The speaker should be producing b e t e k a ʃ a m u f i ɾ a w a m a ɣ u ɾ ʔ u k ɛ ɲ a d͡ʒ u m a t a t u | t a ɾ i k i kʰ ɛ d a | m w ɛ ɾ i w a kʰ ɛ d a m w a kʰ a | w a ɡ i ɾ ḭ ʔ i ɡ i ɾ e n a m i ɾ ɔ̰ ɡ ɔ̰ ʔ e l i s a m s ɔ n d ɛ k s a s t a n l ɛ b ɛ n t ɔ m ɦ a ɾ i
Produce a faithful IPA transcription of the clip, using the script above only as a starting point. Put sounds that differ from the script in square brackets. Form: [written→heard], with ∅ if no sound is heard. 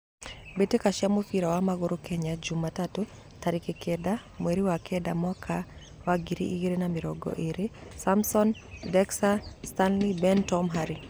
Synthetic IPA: b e t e k a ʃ a m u f i ɾ a w a m a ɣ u ɾ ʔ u k ɛ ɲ a d͡ʒ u m a t a t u | t a ɾ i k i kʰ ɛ d a | m w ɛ ɾ i w a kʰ ɛ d a m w a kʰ a | w a ɡ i ɾ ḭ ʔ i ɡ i ɾ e n a m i ɾ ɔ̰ ɡ ɔ̰ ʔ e [l→ɾ] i s a m s ɔ n d ɛ k s a s t a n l [ɛ→i] b ɛ n t ɔ m ɦ a ɾ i

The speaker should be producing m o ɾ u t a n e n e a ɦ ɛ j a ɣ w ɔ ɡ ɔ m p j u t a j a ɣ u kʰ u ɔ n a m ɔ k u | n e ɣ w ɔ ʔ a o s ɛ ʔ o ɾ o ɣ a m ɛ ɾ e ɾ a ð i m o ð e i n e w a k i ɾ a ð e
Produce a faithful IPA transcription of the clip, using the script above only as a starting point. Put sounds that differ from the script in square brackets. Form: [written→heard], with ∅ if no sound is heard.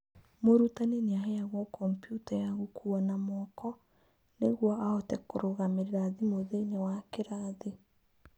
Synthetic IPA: m o ɾ u t a n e n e a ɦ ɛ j a ɣ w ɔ [ɡ→k] ɔ m p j u t a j a ɣ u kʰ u ɔ n a m ɔ k [u→ɔ] | n e ɣ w ɔ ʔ a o [s→t] ɛ [ʔ→k] o ɾ o ɣ a m [ɛ→e] ɾ e ɾ a ð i m o ð e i n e w a k [i→e] ɾ a ð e

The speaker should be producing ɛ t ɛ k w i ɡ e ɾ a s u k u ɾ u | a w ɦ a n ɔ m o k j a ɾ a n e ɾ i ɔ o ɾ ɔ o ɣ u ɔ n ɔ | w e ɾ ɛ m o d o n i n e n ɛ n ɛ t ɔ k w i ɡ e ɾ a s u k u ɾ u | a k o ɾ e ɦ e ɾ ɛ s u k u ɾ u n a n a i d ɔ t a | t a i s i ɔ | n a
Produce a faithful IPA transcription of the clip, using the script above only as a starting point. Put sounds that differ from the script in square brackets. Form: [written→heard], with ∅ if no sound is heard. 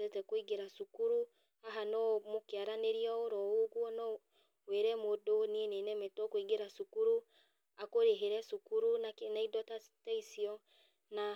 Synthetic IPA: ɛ t ɛ k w i ɡ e ɾ a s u k u ɾ u | a [w→∅] ɦ a n ɔ m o k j a ɾ a n e ɾ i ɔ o ɾ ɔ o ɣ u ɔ n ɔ | w e ɾ ɛ m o d o n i n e n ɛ [n→m] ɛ t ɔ k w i ɡ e ɾ a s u k u ɾ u | a k o ɾ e ɦ e ɾ ɛ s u k u ɾ u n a n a i d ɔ t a | t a i s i ɔ | n a

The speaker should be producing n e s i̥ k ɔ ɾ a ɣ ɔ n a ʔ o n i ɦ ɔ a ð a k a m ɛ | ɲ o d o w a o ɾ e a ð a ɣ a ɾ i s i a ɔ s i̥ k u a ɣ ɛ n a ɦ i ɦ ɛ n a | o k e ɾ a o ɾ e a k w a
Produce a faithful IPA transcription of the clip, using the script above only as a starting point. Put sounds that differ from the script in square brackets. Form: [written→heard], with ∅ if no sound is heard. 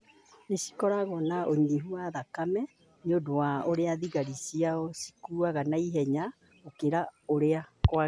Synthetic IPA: n e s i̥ k ɔ ɾ a ɣ ɔ n a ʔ o [n→ɲ] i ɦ [ɔ→u] a ð a k a m ɛ | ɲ o d o w a o ɾ e a ð [a→i] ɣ a ɾ i s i a ɔ s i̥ k u a ɣ [ɛ→a] n a [ɦ→∅] i ɦ ɛ [n→ɲ] a | o k e ɾ a o ɾ e a k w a

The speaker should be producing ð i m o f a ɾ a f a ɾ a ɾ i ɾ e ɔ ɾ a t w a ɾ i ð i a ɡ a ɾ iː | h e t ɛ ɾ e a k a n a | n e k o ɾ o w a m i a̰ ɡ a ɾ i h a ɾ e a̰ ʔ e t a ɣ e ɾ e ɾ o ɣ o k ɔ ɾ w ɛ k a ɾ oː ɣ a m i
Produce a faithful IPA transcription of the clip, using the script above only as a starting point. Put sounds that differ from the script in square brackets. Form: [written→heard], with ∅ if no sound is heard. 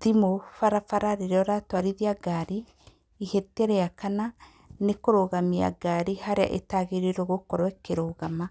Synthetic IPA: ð i m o f a ɾ a f a ɾ a ɾ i ɾ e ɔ ɾ a t w a ɾ i ð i a ɡ a ɾ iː | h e t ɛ ɾ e a k a n a | n e k o ɾ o [w→ɣ] a m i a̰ ɡ a ɾ i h a ɾ e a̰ ʔ e t a ɣ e ɾ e ɾ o ɣ o k ɔ ɾ w ɛ k [a→e] ɾ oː ɣ a m [i→a]

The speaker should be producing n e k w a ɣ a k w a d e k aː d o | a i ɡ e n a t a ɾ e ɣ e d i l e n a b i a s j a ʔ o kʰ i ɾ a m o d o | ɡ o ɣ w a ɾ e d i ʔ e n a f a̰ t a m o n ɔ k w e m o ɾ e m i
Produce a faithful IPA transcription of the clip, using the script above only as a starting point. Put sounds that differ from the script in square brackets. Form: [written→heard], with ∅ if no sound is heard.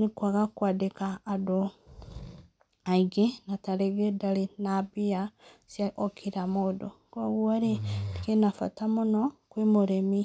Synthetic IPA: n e k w a ɣ a k w a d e k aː d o | a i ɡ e n a t a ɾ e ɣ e d [i→a] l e n a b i a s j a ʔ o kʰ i ɾ a m o d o | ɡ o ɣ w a ɾ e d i [ʔ→k] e n a f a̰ t a m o n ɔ k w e m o ɾ e m i

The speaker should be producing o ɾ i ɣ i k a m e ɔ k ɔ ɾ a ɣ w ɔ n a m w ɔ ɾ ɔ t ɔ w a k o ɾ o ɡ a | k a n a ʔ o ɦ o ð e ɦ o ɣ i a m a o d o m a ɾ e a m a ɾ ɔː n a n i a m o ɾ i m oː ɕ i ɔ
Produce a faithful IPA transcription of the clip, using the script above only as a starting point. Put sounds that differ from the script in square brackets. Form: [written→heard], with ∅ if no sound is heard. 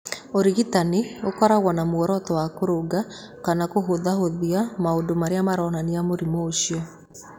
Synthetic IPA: o ɾ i ɣ i [k→t] a [m→n] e [ɔ→o] k ɔ ɾ a ɣ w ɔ n a m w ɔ ɾ ɔ t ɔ w a k o ɾ o ɡ a | k a n a [ʔ→k] o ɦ o ð [e→a] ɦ o [ɣ→ð] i a m a o d o m a ɾ e a m a ɾ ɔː n a n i a m o ɾ i m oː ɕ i ɔ

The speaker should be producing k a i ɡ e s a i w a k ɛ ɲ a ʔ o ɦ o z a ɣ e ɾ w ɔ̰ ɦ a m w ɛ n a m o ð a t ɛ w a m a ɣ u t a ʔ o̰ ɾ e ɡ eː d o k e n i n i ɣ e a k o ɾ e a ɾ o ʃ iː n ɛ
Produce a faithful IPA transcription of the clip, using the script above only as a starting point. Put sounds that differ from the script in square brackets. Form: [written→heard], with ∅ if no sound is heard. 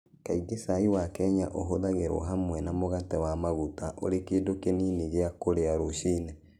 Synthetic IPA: k a i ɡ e s a i w a k ɛ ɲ a ʔ o ɦ o [z→ð] a ɣ e ɾ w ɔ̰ ɦ a m w ɛ n a m o [ð→ɣ] a t ɛ w a m a ɣ u t a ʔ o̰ ɾ e [ɡ→k] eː d o k e n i n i ɣ e a k o ɾ e a ɾ o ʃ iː n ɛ

